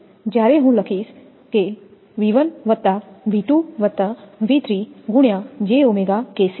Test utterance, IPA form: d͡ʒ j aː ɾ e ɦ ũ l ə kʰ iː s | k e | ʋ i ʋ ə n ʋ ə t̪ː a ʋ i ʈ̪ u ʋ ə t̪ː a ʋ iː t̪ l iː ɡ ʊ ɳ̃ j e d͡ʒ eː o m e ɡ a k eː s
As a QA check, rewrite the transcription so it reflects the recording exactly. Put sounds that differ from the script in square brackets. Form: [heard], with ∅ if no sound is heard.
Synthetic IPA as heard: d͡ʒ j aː ɾ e ɦ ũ l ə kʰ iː s | k e | ʋ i ʋ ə n ʋ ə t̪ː a ʋ i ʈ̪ u ʋ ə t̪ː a ʋ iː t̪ [ɾ] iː ɡ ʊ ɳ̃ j [a] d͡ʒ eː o m e ɡ a k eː s